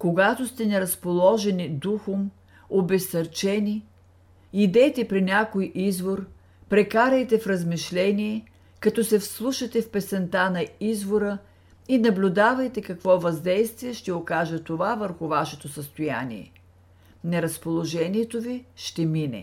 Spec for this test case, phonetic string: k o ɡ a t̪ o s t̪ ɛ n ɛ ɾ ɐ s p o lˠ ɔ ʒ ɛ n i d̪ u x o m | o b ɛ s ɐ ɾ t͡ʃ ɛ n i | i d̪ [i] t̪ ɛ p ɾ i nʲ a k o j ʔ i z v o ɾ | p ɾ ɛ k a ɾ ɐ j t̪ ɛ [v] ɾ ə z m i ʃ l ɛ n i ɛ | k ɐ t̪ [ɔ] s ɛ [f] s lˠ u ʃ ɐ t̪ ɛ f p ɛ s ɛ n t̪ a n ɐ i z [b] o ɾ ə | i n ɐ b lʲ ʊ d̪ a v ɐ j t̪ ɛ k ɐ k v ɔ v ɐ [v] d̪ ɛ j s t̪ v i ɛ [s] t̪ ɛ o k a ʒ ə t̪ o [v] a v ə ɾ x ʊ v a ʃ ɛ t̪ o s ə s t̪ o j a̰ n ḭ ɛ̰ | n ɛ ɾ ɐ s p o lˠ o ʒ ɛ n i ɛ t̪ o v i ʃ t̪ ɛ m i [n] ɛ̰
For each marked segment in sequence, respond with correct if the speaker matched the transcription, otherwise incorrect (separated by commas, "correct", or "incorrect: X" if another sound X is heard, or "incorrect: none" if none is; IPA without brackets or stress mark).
incorrect: ɛ, incorrect: f, correct, correct, incorrect: v, incorrect: z, incorrect: ʃ, correct, correct